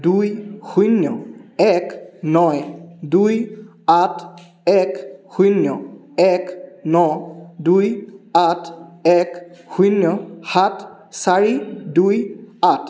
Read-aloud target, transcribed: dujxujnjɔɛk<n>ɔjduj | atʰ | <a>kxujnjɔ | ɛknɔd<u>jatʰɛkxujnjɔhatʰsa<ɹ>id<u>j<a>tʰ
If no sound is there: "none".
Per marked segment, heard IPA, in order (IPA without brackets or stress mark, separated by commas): n, ɛ, u, ɹ, u, a